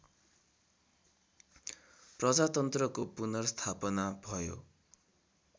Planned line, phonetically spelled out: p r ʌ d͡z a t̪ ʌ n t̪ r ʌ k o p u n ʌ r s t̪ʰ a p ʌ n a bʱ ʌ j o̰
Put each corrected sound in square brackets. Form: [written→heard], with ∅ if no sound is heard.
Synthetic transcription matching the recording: p r ʌ d͡z a t̪ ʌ n t̪ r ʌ k o p u n ʌ r s t̪ʰ a p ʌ n a bʱ ʌ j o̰